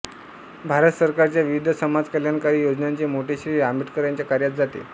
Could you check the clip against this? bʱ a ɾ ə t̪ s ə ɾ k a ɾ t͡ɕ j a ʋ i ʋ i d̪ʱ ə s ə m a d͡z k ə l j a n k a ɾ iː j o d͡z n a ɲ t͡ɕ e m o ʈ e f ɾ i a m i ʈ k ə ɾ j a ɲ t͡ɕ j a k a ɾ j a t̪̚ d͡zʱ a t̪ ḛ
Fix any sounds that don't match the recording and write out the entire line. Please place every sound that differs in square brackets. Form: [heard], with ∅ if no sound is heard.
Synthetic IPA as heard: bʱ a ɾ ə t̪ s ə ɾ k a ɾ t͡ɕ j a ʋ i ʋ i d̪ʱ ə s ə m a d͡z k ə l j a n k a ɾ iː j o d͡z n a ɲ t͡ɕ e m o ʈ e [ɕ] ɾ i a m i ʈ k ə ɾ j a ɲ t͡ɕ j a k a ɾ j a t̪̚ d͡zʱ a t̪ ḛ